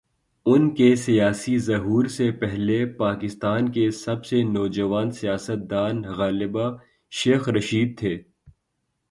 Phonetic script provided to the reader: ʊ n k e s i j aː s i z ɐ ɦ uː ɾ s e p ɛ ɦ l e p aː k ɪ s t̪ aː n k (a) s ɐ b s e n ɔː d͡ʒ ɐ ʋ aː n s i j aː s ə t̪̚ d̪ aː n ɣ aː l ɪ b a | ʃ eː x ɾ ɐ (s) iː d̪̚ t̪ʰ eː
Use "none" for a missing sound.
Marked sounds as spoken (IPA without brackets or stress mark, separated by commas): e, ʃ